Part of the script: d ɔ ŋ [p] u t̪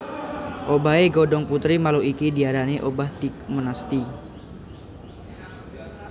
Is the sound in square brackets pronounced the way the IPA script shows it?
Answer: yes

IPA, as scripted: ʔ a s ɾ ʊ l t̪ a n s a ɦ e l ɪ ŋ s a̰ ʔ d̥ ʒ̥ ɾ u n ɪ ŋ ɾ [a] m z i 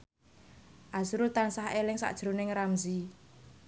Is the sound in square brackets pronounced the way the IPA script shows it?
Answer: yes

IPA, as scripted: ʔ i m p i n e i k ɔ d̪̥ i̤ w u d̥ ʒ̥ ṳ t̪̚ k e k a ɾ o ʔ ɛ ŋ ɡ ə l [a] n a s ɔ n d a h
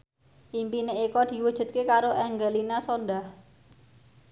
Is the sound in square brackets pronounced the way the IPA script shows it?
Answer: no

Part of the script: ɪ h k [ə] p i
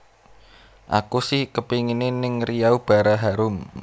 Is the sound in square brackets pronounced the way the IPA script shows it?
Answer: yes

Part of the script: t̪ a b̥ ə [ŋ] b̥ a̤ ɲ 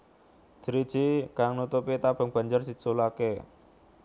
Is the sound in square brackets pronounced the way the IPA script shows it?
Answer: yes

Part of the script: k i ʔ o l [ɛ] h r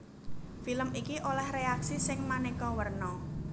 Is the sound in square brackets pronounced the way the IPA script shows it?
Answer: yes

